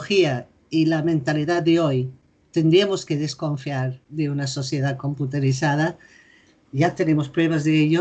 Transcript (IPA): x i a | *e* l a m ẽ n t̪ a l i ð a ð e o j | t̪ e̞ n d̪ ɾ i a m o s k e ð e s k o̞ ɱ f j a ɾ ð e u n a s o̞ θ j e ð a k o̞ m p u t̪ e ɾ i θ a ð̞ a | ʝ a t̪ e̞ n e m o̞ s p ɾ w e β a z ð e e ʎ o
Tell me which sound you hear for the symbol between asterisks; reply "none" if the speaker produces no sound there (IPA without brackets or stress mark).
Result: i